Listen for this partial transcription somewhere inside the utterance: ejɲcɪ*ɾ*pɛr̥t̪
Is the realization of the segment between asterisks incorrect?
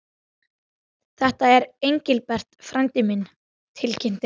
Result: yes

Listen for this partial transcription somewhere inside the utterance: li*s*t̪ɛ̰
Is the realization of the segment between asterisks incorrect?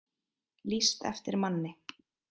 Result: no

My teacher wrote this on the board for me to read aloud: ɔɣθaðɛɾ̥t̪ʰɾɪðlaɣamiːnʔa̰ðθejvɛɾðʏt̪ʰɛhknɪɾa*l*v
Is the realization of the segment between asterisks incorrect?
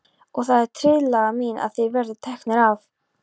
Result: yes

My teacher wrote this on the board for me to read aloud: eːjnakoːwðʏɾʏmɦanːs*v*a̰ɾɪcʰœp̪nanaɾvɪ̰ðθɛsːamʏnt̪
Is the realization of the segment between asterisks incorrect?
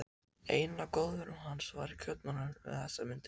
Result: no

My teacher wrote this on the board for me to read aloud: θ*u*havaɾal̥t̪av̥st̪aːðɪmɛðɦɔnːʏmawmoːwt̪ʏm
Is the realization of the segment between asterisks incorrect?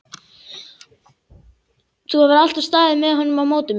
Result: no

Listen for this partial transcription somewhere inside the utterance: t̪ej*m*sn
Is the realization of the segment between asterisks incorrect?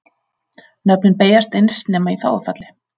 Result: yes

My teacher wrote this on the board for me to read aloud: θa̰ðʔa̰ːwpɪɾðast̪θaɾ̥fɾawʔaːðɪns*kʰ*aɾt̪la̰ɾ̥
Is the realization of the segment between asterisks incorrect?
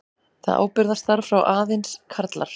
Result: no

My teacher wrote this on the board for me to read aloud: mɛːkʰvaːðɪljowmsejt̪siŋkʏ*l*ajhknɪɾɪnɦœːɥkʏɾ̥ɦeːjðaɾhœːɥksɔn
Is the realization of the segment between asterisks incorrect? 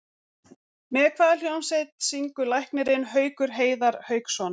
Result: no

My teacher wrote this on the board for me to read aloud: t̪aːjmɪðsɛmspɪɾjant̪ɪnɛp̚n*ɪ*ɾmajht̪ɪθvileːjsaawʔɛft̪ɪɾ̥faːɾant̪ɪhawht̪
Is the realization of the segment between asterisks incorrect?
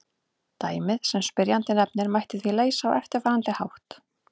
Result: no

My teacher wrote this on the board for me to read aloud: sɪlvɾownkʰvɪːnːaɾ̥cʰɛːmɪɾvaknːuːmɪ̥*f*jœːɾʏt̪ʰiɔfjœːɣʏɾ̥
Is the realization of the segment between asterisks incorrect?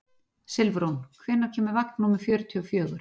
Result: no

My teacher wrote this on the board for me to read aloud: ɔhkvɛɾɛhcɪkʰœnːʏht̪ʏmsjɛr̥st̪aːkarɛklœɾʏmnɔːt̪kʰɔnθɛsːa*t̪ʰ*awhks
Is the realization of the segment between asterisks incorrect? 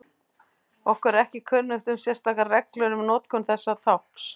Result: no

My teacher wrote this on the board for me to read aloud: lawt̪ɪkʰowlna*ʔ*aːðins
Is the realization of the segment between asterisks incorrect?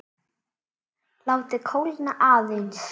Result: no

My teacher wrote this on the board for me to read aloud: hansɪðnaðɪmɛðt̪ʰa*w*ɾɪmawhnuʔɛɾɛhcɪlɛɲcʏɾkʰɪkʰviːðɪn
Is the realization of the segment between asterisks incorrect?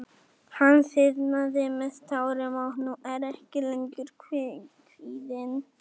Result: no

